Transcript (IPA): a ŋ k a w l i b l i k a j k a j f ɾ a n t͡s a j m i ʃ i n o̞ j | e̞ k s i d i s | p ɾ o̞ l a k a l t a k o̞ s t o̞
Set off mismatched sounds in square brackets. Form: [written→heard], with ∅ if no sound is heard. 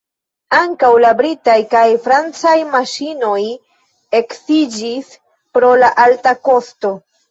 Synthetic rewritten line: a ŋ k a w l [i→a] b [l→ɾ] i [k→t] a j k a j f ɾ a n t͡s a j m [i→a] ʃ i n o̞ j | e̞ k s i [d→d͡ʒ] i s | p ɾ o̞ l a [k→ʔ] a l t a k o̞ s t o̞